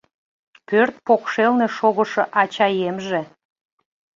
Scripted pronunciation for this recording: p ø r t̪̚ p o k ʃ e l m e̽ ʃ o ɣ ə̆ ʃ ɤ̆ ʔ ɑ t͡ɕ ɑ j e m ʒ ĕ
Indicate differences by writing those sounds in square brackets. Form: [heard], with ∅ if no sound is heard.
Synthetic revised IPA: p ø r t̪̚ p o k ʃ e l [n] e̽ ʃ o ɣ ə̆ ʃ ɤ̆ ʔ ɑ t͡ɕ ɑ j e m ʒ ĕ